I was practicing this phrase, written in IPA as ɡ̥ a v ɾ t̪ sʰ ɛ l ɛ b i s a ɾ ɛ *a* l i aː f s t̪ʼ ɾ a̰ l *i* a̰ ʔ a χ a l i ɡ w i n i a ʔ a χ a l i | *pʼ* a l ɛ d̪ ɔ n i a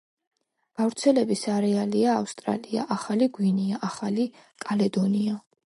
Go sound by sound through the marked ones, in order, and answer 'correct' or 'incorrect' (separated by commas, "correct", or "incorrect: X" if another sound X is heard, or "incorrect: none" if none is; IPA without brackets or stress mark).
correct, correct, incorrect: kʼ